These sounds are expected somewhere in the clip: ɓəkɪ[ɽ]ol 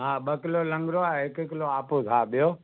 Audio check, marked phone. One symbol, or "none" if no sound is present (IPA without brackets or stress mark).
l